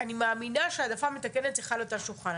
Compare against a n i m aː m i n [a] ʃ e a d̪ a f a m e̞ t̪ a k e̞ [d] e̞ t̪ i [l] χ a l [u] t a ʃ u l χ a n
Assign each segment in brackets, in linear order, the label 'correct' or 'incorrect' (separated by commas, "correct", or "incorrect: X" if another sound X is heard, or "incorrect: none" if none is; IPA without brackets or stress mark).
correct, incorrect: n, incorrect: none, incorrect: o